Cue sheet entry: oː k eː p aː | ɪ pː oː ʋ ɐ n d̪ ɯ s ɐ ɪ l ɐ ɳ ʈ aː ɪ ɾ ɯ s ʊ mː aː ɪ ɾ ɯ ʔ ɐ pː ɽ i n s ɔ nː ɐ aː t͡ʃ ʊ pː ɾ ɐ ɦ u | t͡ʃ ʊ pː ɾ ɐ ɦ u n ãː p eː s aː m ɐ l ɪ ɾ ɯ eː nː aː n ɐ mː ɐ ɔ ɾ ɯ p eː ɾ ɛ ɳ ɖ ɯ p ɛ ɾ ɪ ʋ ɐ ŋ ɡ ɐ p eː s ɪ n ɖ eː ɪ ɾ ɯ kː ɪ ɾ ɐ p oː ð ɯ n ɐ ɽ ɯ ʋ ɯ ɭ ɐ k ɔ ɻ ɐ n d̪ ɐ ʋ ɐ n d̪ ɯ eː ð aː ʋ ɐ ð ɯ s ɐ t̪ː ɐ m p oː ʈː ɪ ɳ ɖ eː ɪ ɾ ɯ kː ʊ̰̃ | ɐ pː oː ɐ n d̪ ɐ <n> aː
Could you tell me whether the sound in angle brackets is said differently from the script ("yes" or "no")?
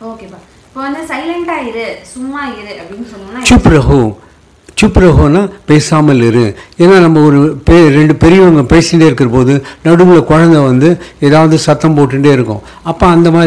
yes